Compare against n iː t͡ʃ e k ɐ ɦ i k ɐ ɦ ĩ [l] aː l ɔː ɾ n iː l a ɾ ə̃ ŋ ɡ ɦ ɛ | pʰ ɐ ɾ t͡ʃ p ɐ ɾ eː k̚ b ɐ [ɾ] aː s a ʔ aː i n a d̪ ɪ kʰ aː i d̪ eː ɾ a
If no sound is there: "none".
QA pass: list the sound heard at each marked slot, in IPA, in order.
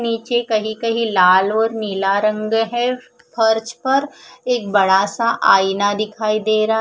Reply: l, ɽ

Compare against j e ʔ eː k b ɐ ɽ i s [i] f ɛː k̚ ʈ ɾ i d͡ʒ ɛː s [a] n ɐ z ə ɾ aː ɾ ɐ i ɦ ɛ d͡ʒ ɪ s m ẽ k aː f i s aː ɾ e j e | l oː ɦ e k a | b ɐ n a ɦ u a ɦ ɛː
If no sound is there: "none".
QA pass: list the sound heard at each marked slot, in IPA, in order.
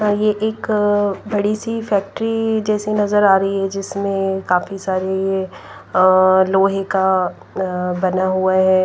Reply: i, e

